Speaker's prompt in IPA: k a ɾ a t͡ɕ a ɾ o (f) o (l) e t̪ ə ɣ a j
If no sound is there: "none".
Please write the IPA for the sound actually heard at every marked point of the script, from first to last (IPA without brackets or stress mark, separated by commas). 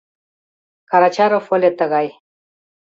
f, l